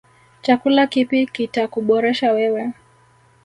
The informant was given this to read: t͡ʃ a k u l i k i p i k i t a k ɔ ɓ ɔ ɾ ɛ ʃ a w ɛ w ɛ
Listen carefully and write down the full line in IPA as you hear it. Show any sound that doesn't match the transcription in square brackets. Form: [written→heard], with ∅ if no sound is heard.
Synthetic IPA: t͡ʃ a k u l [i→a] k i p i k i t a k [ɔ→u] ɓ ɔ ɾ ɛ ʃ a w ɛ w ɛ